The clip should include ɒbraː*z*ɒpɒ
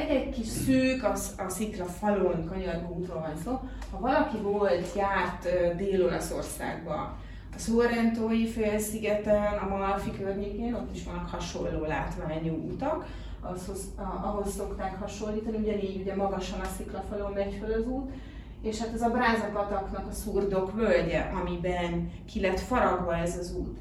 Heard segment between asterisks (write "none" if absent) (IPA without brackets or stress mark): z